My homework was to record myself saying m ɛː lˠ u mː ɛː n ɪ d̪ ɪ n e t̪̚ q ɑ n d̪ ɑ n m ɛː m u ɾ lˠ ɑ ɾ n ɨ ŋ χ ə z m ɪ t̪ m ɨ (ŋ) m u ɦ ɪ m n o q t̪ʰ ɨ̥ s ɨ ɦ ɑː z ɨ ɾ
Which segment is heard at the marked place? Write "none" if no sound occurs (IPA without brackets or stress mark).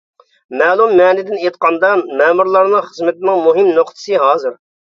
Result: ŋ